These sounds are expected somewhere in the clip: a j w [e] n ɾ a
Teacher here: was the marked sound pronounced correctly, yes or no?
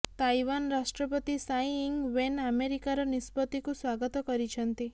no